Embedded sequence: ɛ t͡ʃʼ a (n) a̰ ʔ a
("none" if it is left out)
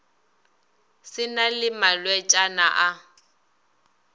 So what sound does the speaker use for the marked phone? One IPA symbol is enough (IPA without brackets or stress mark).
n